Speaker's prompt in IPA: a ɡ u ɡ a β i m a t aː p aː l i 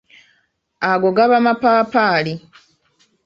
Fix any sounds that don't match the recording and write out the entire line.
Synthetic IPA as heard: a ɡ o ɡ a β a m a p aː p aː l i